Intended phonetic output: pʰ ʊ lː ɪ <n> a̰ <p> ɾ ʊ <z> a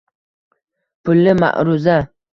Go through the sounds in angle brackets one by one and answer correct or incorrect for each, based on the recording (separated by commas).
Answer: incorrect, incorrect, correct